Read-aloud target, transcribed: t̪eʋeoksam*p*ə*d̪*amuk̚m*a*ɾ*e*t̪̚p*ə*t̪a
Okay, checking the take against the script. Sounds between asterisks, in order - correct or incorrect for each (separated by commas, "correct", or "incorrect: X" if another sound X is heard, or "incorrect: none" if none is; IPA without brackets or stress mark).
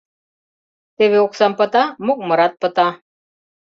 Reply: correct, incorrect: t̪, incorrect: ə, incorrect: a, correct